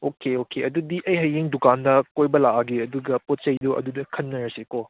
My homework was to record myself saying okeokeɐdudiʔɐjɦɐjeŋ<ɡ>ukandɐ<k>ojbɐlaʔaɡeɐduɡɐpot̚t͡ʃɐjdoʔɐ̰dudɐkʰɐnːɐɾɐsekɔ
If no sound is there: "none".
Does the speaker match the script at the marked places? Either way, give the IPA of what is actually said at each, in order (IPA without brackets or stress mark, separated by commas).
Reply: d, k